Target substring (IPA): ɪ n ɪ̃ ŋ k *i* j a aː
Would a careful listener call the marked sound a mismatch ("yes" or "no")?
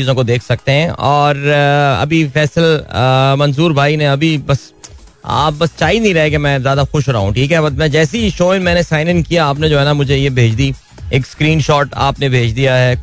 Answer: no